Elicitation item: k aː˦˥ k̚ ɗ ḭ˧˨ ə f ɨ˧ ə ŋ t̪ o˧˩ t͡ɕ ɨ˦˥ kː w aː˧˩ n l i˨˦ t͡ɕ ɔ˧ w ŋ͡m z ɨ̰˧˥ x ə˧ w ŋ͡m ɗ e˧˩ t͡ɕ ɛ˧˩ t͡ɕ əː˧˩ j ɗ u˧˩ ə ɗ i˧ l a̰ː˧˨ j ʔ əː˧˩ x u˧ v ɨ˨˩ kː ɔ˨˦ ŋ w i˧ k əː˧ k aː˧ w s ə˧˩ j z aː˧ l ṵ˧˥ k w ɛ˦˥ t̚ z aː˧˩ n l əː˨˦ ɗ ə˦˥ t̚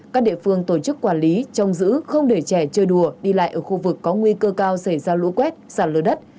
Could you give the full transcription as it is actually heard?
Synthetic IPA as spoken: k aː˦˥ k̚ ɗ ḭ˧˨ ə f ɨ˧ ə ŋ t̪ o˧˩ t͡ɕ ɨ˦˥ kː w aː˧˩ n l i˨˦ t͡ɕ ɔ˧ w ŋ͡m z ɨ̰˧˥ x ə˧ w ŋ͡m ɗ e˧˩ t͡ɕ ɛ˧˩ t͡ɕ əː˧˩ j ɗ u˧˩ ə ɗ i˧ l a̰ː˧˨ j ʔ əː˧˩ x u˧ v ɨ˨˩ kː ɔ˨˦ ŋ w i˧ k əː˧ k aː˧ w s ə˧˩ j z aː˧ l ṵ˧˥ k w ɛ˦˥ t̚ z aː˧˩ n l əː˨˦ ɗ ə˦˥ t̚